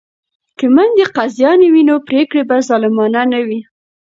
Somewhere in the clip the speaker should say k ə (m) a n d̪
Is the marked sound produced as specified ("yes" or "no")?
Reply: yes